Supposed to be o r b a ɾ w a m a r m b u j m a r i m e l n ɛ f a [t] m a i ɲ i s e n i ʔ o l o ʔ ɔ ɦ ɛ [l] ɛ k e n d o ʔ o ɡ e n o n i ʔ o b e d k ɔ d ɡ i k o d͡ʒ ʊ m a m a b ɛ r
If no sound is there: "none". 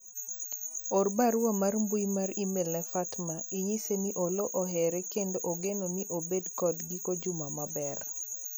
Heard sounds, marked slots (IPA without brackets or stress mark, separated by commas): t, ɾ